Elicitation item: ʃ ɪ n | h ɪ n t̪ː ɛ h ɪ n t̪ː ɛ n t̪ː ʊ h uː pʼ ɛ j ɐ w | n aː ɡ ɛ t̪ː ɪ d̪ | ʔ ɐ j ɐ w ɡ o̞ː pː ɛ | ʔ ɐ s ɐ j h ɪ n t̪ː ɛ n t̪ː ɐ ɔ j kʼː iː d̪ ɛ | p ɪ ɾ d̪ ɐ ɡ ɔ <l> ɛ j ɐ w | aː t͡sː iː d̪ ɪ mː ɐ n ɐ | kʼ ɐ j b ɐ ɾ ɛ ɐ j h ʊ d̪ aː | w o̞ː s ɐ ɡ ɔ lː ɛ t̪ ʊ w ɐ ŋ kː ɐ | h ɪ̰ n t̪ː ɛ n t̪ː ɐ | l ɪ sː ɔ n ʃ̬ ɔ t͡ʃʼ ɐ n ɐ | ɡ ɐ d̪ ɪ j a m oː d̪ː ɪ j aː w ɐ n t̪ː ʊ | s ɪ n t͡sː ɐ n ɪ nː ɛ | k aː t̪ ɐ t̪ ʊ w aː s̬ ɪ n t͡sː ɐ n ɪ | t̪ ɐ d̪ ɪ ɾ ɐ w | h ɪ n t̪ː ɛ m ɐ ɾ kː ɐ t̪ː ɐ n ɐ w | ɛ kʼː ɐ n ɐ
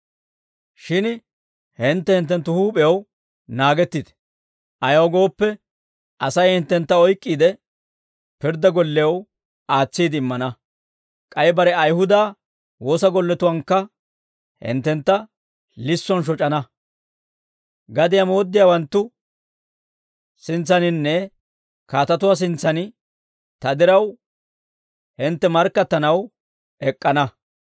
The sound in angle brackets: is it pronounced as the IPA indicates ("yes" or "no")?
no